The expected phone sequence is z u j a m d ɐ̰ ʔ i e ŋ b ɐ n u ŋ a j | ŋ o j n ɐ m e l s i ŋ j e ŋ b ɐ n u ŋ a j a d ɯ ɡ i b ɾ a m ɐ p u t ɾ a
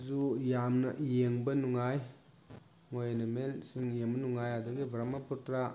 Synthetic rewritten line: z u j a m n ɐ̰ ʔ j e ŋ b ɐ n u ŋ a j | ŋ o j n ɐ m e l s i ŋ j e ŋ b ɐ n u ŋ a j a d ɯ ɡ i b ɾ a m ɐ p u t ɾ a